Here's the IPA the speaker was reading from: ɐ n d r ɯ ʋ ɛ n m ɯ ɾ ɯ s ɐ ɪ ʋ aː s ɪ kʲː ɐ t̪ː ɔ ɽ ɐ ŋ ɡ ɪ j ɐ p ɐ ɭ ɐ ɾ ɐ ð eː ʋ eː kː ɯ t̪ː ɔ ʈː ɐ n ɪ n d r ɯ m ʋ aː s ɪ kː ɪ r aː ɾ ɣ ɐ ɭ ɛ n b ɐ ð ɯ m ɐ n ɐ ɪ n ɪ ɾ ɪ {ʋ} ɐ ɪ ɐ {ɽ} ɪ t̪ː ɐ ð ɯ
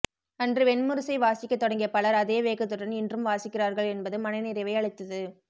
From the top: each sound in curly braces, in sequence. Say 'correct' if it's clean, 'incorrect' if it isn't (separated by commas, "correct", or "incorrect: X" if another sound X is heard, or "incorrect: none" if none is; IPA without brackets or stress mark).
correct, incorrect: ɭ